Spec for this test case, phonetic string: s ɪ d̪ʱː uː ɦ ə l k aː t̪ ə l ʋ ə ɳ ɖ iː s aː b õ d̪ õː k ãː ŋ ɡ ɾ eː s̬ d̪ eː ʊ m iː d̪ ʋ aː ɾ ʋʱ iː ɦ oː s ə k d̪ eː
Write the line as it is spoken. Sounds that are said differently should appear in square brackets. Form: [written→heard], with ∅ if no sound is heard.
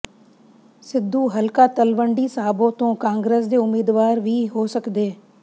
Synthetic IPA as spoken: s ɪ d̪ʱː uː ɦ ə l k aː t̪ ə l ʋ ə ɳ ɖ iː s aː b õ [d̪→t̪] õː k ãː ŋ ɡ ɾ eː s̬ d̪ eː ʊ m iː d̪ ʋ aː ɾ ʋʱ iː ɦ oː s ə k d̪ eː